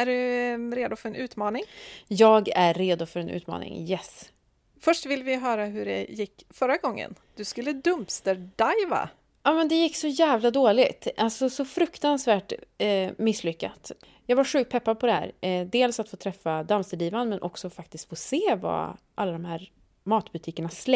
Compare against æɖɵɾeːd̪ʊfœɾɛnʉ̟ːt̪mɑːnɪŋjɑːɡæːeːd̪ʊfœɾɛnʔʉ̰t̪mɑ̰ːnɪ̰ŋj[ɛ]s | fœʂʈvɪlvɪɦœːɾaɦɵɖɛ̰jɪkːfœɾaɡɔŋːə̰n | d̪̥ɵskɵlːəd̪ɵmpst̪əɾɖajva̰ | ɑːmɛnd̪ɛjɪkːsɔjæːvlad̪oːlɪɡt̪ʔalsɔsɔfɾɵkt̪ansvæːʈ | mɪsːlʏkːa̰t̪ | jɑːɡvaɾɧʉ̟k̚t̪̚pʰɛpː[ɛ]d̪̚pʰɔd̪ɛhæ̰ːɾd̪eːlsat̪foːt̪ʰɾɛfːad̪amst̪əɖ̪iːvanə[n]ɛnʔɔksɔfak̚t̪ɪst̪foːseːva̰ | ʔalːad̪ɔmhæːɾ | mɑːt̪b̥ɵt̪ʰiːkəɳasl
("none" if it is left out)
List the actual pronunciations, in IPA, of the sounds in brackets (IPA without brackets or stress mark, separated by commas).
ɛ, a, m